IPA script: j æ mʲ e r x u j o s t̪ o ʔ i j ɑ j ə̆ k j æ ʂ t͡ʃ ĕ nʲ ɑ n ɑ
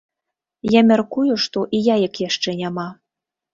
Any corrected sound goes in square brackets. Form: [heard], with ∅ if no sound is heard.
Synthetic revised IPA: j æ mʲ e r [k] u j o [ʃ] t̪ o ʔ i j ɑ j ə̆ k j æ [ʃ] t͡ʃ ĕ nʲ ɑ [m] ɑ